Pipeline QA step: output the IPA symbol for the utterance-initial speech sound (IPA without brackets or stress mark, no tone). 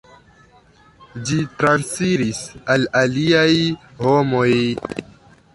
d͡ʒ